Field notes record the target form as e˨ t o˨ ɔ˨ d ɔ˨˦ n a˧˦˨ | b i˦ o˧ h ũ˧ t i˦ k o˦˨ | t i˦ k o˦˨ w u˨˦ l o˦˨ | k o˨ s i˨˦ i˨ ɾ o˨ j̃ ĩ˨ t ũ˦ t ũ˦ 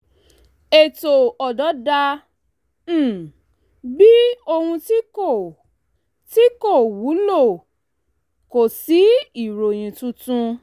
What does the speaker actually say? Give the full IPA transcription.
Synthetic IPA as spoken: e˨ t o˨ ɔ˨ d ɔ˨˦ d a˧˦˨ | b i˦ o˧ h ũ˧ t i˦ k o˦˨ | t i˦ k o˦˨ w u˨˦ l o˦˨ | k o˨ s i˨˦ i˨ ɾ o˨ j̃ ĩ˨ t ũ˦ t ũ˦